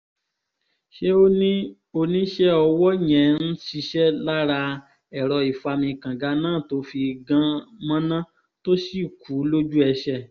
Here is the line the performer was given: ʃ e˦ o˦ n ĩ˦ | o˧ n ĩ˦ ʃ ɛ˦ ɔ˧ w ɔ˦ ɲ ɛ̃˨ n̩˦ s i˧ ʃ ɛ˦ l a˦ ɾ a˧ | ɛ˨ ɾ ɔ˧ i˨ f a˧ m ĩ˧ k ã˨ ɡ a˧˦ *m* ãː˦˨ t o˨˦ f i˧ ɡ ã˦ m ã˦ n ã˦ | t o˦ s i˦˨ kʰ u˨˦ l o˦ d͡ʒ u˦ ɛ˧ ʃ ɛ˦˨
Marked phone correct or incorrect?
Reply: incorrect